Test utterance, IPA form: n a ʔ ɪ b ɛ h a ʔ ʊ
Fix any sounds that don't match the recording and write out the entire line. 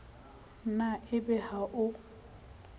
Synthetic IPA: n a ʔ ɪ b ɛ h a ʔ ʊ